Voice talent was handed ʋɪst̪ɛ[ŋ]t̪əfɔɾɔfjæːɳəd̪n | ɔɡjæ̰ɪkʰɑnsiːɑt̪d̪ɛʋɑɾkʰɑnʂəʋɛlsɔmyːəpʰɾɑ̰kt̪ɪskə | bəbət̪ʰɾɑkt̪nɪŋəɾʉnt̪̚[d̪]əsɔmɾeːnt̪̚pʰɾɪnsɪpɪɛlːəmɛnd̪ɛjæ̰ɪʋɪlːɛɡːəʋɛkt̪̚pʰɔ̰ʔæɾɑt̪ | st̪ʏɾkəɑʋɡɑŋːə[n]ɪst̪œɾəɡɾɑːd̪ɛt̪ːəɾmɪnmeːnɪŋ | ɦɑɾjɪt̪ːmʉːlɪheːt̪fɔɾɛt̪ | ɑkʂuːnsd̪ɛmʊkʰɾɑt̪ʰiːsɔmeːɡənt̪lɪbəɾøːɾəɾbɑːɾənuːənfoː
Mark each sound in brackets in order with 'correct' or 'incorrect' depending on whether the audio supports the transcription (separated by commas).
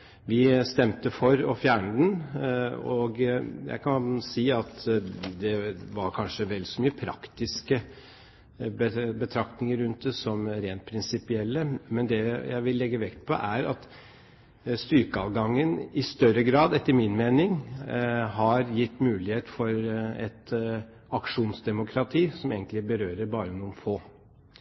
incorrect, correct, correct